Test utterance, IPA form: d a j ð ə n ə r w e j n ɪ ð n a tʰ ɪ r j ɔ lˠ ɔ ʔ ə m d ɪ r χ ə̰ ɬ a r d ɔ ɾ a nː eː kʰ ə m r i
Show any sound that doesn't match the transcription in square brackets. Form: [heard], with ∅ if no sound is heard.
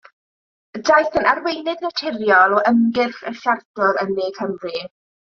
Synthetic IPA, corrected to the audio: d a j [θ] ə n [a] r w e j n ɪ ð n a tʰ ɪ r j ɔ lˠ ɔ ʔ ə m [ɡ] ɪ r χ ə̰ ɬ a r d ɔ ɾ [ə] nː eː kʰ ə m r i